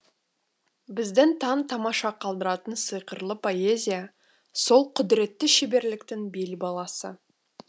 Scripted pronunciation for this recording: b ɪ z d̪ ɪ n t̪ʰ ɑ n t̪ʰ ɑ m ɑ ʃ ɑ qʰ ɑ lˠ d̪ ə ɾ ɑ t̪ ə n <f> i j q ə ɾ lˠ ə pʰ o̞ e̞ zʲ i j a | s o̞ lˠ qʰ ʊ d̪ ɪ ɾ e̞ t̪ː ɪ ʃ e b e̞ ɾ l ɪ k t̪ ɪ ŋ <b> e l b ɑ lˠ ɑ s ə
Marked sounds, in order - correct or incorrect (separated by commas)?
incorrect, correct